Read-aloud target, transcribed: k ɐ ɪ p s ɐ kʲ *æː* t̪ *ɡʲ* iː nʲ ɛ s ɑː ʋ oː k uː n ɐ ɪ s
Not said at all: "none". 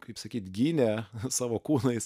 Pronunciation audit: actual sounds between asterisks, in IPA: iː, ɡʲ

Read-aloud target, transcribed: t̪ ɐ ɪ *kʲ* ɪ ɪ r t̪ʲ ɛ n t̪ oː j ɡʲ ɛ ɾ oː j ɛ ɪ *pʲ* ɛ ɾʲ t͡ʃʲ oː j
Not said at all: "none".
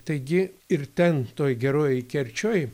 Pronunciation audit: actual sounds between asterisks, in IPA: ɡʲ, kʲ

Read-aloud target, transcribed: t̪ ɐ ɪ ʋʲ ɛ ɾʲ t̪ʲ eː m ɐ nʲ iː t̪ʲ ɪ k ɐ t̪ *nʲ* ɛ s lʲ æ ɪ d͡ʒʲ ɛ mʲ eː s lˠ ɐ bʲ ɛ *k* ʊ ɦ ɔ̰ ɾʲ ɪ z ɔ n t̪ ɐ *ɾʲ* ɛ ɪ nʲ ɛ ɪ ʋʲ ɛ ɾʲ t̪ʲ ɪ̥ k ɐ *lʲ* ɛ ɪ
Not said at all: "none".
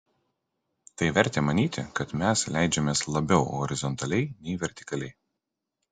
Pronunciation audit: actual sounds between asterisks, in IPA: mʲ, none, lʲ, lʲ

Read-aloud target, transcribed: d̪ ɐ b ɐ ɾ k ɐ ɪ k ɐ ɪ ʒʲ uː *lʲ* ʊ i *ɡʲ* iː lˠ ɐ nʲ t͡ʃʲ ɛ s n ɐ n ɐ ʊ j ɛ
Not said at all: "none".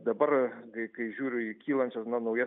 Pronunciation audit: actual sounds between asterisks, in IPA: ɾʲ, kʲ

